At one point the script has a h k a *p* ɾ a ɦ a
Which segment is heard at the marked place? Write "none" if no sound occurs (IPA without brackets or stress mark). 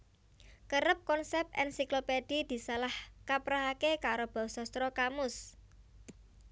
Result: p